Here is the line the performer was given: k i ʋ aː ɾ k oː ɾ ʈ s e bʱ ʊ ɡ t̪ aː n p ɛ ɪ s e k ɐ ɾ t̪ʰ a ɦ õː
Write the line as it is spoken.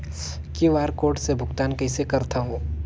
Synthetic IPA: k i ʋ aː ɾ k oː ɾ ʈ s e bʱ ʊ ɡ t̪ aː n k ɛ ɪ s e k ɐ ɾ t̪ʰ a ɦ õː